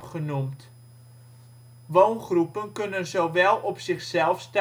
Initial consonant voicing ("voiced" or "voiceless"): voiceless